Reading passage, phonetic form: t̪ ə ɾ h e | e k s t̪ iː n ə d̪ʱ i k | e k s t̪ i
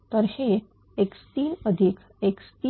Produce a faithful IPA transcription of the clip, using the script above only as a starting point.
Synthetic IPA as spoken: t̪ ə ɾ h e | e k s t̪ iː n ə d̪ʱ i k | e k s t̪ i